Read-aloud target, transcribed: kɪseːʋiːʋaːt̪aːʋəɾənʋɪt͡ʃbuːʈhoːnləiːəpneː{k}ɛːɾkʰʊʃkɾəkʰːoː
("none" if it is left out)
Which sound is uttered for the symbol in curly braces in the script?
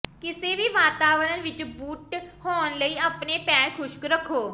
p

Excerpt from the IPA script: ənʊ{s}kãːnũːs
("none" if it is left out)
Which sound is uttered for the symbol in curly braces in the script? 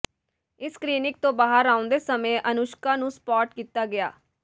ʃ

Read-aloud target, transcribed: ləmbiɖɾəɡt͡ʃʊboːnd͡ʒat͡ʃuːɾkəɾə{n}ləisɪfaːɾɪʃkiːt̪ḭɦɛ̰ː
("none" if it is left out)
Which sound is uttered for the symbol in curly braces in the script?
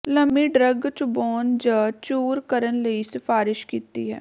n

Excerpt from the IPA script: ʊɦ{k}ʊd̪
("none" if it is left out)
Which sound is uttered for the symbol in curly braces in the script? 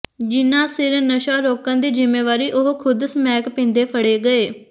kʰ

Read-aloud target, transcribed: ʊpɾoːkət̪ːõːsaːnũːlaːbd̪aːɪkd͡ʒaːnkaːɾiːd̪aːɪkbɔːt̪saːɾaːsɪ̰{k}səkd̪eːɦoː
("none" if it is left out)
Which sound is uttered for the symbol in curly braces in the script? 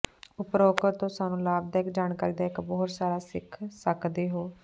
kʰ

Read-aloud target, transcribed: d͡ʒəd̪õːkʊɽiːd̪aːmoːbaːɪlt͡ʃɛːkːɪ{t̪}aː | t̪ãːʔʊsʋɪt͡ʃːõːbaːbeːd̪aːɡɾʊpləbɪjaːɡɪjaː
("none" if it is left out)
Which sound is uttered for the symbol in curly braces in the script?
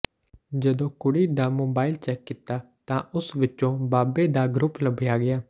t̪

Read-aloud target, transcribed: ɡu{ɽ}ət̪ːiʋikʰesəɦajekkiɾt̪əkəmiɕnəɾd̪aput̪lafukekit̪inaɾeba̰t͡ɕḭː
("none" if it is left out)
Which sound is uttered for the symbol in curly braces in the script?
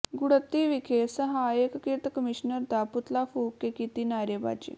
ɽ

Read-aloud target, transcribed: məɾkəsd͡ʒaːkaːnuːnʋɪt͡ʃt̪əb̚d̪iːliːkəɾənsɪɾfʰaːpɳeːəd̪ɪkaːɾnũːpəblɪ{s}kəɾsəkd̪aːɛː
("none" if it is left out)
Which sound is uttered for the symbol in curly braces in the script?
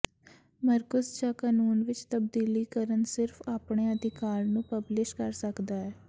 ʃ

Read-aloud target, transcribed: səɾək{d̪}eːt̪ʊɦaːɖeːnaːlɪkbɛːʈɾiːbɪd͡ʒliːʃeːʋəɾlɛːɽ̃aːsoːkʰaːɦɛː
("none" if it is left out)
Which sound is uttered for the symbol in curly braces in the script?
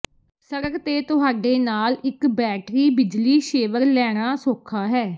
t̪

